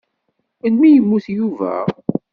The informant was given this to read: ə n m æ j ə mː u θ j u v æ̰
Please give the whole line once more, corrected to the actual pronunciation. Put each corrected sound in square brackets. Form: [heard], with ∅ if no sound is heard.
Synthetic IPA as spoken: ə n m [i] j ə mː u θ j u v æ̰